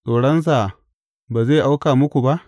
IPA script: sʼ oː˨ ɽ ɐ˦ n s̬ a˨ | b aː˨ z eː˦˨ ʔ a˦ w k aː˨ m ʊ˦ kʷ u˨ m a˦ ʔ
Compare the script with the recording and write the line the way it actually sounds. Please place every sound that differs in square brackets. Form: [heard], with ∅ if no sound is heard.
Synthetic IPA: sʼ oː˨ ɽ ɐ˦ n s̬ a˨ | b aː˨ z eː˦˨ ʔ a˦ w k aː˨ m ʊ˦ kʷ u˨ [b] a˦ ʔ